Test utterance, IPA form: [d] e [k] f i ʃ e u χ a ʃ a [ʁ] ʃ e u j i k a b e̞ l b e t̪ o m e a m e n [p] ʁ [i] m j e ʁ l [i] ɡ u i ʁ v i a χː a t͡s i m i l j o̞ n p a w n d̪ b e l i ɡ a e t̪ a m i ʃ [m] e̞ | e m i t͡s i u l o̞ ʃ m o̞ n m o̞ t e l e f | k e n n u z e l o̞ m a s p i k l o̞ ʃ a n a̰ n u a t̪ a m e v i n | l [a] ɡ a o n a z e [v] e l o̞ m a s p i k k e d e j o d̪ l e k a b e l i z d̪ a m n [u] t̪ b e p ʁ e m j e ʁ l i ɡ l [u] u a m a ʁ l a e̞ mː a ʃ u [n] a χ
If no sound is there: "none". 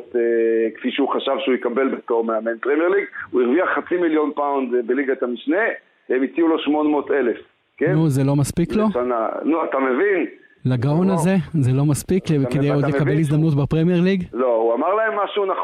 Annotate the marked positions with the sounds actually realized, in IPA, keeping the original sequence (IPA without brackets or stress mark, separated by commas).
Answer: t, k, v, p, e, i, n, a, z, u, o, n